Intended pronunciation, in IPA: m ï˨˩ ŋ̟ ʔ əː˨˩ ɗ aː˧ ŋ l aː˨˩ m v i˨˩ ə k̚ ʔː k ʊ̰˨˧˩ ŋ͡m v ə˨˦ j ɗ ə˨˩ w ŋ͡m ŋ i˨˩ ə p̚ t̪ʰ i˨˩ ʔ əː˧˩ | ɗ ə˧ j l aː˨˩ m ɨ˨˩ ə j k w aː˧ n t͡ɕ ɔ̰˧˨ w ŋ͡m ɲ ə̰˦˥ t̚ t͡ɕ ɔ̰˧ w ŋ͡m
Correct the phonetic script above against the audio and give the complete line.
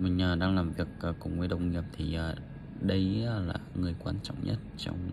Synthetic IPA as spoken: m ï˨˩ ŋ̟ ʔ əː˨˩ ɗ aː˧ ŋ l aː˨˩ m v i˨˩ ə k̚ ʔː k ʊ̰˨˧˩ ŋ͡m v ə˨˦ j ɗ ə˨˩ w ŋ͡m ŋ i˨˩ ə p̚ t̪ʰ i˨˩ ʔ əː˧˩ | ɗ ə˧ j l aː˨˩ ŋ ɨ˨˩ ə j k w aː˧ n t͡ɕ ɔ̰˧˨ w ŋ͡m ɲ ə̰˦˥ t̚ t͡ɕ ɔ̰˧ w ŋ͡m

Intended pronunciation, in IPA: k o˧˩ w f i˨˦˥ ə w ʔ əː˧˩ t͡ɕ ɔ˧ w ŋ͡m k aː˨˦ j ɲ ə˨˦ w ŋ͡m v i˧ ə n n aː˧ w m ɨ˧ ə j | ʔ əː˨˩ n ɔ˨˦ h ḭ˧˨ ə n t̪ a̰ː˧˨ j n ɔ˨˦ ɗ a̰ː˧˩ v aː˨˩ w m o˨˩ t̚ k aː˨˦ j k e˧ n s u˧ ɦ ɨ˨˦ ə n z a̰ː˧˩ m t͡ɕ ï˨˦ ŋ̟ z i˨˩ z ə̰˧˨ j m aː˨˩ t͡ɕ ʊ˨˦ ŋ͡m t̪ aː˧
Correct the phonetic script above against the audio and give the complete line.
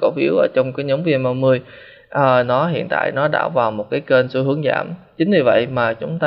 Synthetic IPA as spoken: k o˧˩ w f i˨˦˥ ə w ʔ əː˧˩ t͡ɕ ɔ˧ w ŋ͡m k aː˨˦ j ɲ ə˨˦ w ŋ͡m v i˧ ə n m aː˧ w m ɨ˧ ə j | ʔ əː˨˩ n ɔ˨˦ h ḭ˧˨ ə n t̪ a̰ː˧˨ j n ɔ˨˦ ɗ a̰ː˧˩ v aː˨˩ w m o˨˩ t̚ k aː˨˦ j k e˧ n s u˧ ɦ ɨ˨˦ ə ŋ z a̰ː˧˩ m t͡ɕ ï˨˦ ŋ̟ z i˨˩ v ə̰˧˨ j m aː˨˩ t͡ɕ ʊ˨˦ ŋ͡m t̪ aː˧

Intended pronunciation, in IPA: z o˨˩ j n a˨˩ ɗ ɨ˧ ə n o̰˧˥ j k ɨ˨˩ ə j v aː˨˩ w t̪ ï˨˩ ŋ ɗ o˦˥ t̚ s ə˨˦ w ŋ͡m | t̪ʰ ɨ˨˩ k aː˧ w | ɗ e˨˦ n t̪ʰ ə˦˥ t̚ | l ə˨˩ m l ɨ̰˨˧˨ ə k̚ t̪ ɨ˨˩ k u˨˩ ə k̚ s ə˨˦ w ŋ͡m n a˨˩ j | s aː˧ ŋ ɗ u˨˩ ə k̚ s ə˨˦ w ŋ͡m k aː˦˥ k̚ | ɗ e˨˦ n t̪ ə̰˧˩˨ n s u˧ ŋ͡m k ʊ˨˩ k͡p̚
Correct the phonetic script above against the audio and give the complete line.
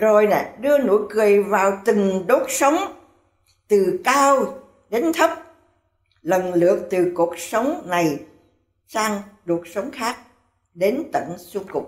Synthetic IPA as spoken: z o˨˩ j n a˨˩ ɗ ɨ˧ ə n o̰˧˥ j k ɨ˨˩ ə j v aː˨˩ w t̪ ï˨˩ ŋ ɗ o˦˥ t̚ s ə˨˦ w ŋ͡m | t̪ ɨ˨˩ k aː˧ w | ɗ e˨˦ n t̪ʰ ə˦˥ p̚ | l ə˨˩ n l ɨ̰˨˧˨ ə k̚ t̪ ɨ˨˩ k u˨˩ ə k̚ s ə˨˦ w ŋ͡m n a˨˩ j | s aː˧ ŋ ɗ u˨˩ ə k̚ s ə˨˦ w ŋ͡m x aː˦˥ k̚ | ɗ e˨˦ n t̪ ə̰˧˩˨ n s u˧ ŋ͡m k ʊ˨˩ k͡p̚

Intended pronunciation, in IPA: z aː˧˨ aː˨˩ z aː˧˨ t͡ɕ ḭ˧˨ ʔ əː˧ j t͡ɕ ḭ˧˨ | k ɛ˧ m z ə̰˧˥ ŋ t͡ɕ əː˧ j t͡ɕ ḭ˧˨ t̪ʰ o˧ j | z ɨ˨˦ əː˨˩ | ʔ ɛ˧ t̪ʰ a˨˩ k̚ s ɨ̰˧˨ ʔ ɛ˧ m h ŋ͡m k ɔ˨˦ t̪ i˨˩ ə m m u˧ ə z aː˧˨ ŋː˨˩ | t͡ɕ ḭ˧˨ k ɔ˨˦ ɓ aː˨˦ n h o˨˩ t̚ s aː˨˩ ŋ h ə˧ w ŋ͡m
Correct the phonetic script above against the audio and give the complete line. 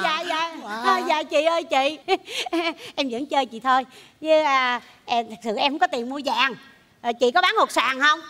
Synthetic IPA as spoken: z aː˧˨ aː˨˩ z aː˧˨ t͡ɕ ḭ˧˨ ʔ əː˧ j t͡ɕ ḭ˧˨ | ʔ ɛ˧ m z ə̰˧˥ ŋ t͡ɕ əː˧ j t͡ɕ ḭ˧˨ t̪ʰ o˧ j | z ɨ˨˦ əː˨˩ | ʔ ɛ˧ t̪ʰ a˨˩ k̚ s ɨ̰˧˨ ʔ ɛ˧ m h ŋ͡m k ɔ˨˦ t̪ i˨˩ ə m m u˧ ə z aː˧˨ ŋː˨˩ | t͡ɕ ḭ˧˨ k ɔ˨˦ ɓ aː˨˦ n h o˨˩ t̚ s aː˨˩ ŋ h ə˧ w ŋ͡m

